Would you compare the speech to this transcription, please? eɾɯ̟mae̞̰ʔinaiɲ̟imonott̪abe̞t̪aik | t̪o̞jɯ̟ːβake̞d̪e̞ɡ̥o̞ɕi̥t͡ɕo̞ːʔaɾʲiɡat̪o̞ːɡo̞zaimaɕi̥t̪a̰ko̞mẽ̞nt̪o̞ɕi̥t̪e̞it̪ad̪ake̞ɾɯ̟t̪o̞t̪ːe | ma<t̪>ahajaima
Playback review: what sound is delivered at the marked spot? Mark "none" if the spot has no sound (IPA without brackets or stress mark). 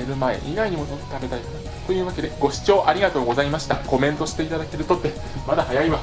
d̪